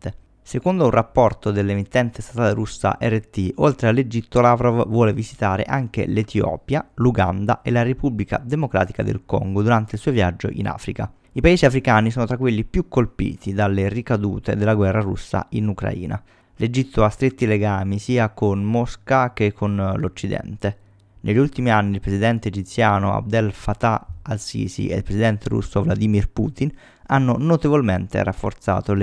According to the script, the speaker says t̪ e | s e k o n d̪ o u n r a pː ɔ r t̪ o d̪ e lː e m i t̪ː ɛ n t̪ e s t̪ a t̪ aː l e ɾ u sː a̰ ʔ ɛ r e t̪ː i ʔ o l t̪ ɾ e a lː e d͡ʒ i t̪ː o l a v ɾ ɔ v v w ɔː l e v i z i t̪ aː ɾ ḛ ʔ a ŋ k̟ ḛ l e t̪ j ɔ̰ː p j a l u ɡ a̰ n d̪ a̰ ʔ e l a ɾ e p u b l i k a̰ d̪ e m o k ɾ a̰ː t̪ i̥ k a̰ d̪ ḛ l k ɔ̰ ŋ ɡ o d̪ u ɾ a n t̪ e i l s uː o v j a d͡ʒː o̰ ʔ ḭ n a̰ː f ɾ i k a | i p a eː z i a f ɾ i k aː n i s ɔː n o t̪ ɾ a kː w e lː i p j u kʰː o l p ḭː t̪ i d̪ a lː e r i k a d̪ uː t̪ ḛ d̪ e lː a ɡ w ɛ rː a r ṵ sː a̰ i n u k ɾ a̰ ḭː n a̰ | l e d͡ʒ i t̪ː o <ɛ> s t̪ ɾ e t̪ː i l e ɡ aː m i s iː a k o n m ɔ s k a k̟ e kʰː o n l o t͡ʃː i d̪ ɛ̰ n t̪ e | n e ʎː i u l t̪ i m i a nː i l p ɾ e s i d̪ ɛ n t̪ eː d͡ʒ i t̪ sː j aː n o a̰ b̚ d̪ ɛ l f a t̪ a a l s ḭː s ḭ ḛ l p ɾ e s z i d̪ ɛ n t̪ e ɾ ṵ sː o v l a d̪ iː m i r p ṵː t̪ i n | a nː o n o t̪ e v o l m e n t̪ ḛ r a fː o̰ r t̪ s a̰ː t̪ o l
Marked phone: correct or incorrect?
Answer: incorrect